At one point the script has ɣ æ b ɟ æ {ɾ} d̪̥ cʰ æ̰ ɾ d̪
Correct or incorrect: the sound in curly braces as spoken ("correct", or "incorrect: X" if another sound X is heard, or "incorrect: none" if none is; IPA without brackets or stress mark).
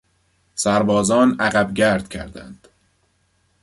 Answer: correct